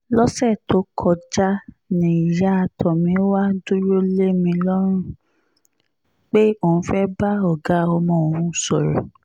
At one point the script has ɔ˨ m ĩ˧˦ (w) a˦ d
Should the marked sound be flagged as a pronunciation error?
no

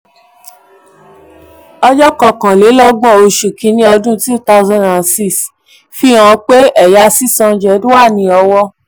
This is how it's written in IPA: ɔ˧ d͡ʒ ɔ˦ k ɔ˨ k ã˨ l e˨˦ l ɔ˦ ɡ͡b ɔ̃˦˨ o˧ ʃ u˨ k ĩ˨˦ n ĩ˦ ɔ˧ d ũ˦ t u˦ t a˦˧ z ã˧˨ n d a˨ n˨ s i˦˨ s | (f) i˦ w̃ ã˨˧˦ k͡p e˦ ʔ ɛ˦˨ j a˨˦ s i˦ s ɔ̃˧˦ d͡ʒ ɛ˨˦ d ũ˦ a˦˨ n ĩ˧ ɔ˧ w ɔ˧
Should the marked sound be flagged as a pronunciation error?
no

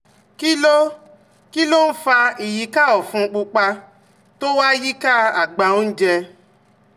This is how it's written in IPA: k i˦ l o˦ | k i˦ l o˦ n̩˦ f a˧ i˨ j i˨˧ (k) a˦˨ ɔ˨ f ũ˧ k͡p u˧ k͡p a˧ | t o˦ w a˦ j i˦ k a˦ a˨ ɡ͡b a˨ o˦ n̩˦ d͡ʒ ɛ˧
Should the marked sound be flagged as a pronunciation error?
no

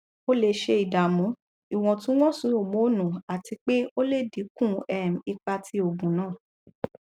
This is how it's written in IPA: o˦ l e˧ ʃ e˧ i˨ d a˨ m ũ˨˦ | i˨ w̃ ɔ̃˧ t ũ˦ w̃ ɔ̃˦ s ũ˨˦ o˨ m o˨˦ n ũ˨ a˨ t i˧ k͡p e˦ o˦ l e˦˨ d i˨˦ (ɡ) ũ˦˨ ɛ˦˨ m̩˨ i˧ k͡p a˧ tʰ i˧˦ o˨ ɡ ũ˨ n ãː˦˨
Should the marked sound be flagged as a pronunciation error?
yes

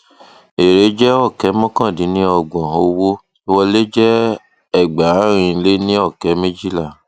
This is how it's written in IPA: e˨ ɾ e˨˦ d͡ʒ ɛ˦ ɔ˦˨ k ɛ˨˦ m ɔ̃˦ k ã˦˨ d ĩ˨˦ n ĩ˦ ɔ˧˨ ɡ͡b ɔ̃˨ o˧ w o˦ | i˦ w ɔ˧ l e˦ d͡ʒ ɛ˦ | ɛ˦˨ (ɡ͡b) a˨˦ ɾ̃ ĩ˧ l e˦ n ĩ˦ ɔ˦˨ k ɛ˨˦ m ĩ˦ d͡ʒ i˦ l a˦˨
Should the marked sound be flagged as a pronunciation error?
no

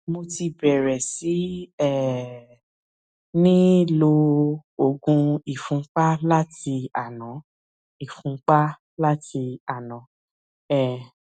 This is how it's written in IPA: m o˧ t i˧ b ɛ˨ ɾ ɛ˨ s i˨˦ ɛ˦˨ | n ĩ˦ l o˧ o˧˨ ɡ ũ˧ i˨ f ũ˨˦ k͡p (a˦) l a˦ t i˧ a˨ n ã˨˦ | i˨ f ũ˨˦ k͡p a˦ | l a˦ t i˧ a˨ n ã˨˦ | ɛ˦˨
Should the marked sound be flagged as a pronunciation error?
no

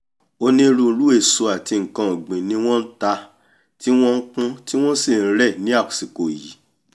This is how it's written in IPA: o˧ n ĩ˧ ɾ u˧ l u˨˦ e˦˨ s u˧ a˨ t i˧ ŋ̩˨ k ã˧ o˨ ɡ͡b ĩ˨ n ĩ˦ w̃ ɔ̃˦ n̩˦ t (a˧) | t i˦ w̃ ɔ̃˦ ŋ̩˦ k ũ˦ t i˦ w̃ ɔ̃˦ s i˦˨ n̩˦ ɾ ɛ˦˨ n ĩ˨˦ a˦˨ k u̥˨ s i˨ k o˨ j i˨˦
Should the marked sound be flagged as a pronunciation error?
no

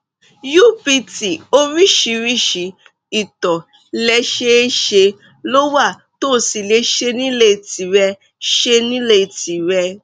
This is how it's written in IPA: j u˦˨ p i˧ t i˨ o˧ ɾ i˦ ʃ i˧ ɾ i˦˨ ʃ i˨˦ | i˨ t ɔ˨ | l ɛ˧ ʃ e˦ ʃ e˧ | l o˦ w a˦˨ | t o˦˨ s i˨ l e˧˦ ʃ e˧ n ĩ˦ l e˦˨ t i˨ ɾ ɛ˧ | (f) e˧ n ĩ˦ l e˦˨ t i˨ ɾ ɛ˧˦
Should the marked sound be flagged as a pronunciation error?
yes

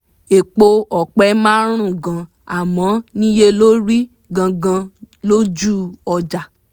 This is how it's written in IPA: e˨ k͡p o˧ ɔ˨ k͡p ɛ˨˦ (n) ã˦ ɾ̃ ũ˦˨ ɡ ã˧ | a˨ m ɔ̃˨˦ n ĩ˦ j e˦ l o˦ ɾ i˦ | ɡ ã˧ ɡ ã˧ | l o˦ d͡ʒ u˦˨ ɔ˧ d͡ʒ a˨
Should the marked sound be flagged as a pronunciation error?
yes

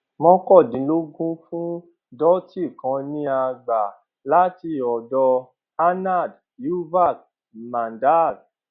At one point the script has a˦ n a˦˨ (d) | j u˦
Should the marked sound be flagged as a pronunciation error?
no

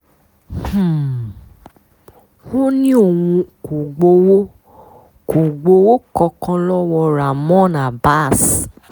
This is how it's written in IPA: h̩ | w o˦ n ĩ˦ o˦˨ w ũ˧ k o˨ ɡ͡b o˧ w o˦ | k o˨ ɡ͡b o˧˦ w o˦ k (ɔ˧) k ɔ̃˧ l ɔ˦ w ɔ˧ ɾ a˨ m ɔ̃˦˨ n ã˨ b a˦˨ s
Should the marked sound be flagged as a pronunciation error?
no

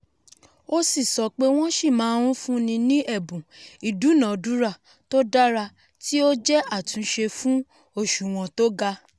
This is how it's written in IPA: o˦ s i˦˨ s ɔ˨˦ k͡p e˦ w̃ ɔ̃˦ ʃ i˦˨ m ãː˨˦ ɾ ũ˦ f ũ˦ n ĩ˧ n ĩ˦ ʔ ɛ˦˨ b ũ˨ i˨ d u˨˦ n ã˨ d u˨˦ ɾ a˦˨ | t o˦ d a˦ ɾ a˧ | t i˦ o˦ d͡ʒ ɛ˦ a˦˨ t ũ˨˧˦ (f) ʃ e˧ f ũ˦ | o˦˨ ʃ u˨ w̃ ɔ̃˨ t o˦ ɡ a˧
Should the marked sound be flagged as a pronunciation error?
yes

